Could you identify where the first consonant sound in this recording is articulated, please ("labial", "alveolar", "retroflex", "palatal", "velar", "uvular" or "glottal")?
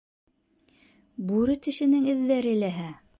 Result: labial